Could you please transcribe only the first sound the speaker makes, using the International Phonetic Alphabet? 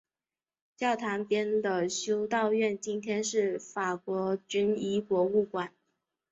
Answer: t͡ɕ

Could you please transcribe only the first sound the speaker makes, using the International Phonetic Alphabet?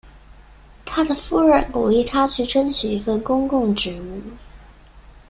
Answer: t̪ʰ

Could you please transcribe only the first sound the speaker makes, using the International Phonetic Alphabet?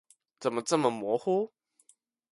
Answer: t͡s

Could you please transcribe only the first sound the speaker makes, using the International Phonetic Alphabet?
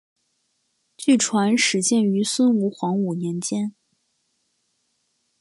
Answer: t͡ɕ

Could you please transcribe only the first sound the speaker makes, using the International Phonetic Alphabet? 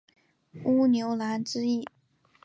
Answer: u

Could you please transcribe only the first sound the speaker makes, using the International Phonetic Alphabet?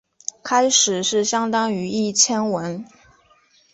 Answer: kʰ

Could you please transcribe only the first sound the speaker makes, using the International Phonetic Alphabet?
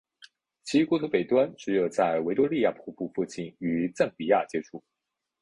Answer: t͡ɕʰ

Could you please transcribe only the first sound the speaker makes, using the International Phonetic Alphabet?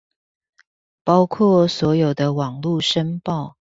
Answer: p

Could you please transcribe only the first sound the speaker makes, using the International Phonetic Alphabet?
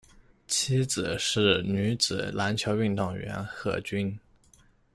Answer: t͡ɕʰ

